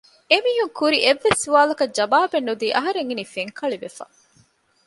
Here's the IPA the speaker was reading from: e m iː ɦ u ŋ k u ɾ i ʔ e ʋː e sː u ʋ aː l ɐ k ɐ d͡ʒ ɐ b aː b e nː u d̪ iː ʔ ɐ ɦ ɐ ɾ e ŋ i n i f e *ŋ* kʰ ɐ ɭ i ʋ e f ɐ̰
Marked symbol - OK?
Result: yes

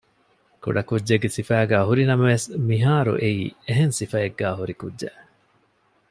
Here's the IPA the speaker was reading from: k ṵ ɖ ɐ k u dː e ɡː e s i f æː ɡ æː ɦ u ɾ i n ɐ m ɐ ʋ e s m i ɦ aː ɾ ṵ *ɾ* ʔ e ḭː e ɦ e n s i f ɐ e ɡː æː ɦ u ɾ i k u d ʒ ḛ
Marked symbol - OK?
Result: no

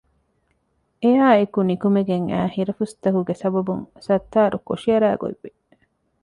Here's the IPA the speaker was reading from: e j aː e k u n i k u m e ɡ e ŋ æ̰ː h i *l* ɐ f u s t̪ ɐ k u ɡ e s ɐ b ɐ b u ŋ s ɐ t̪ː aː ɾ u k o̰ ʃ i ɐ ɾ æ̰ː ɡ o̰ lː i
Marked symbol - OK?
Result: no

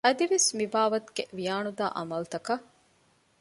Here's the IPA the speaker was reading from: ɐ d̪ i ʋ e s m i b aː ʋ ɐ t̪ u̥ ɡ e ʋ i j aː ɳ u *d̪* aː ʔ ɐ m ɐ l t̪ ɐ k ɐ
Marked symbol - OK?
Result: yes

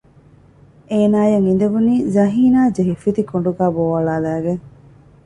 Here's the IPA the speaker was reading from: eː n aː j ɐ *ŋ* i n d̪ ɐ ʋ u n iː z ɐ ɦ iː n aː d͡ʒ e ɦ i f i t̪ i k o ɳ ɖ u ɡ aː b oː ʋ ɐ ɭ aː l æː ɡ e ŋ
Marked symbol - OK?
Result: yes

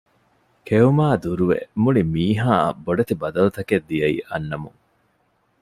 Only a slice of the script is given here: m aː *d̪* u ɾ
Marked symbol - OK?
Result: yes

